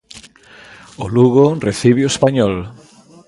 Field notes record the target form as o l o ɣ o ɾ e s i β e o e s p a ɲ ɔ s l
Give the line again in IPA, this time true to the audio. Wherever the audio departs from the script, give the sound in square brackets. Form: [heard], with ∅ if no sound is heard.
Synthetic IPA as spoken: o l [u] ɣ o [r] e [θ] i β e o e s p a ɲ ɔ [∅] l